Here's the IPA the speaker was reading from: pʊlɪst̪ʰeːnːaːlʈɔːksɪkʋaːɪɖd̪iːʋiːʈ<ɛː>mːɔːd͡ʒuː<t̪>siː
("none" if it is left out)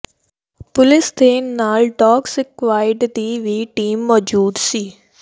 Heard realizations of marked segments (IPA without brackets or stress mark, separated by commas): iː, d̪